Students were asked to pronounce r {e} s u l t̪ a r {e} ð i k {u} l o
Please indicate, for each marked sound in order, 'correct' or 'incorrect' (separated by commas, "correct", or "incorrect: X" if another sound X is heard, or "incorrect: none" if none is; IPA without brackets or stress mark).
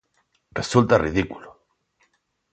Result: correct, incorrect: i, correct